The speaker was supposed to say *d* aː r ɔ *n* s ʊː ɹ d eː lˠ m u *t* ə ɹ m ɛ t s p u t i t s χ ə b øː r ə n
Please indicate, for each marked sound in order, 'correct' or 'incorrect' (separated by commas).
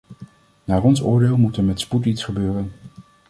incorrect, correct, correct